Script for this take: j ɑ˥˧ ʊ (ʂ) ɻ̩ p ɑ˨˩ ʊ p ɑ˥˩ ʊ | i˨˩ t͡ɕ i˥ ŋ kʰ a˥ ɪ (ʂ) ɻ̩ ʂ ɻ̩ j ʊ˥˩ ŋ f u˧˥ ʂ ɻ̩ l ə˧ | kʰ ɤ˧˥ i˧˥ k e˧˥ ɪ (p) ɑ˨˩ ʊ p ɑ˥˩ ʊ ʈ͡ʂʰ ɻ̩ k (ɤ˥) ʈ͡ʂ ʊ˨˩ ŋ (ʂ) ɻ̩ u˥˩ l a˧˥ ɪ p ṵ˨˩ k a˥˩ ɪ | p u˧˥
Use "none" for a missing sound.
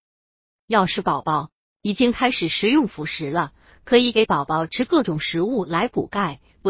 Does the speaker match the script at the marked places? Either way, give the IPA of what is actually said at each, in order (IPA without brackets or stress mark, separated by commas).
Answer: ʂ, ʂ, p, ɤ˥˩, ʂ